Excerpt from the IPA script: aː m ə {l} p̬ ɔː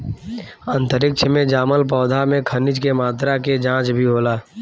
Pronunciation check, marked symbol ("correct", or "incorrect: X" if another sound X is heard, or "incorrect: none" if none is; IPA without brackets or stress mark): correct